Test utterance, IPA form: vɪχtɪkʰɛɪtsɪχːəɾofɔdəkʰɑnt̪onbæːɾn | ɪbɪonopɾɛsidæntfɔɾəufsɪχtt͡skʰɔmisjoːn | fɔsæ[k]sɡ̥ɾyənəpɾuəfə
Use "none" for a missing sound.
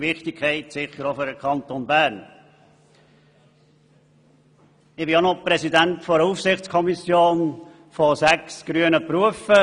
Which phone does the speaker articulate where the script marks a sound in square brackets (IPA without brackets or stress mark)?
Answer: k